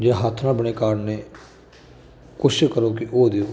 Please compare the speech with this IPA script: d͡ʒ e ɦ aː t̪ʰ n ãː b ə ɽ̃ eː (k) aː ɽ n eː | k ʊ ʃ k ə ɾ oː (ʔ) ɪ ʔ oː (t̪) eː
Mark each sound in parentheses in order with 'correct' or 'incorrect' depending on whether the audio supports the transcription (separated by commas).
correct, incorrect, incorrect